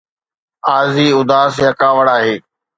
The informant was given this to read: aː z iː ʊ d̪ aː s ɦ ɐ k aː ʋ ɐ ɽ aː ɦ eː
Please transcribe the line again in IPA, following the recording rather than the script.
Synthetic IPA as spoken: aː z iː ʊ d̪ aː s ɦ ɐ k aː ʋ ə ɽ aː ɦ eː